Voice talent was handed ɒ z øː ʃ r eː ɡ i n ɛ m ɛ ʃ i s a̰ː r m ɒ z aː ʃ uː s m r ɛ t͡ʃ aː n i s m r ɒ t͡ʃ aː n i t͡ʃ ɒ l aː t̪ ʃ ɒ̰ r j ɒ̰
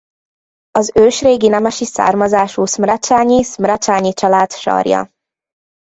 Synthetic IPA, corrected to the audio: ɒ z øː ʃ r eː ɡ i n ɛ m ɛ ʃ i s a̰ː r m ɒ z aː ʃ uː s m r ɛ t͡ʃ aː ɲ i s m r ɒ t͡ʃ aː ɲ i t͡ʃ ɒ l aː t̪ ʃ ɒ̰ r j ɒ̰